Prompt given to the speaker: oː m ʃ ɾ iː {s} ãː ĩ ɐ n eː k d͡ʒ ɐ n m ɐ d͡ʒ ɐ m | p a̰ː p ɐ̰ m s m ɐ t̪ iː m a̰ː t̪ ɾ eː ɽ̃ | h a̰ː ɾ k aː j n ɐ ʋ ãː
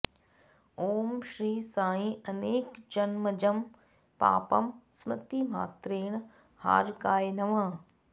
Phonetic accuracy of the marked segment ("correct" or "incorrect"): correct